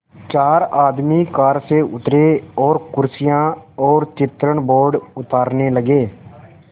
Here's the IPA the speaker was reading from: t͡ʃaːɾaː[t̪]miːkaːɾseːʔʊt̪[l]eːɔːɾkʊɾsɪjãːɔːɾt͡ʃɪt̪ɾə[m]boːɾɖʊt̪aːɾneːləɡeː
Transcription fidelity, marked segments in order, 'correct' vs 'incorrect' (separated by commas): incorrect, incorrect, incorrect